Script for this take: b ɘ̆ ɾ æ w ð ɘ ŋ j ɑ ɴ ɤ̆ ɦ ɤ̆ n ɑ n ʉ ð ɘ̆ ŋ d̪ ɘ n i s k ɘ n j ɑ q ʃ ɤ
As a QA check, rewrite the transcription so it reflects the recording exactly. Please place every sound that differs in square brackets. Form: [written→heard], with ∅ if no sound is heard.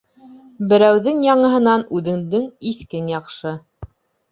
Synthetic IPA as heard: b ɘ̆ ɾ æ w ð ɘ ŋ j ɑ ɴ ɤ̆ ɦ ɤ̆ n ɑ n ʉ ð ɘ̆ ŋ d̪ ɘ [n→ŋ] i [s→θ] k ɘ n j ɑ q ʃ ɤ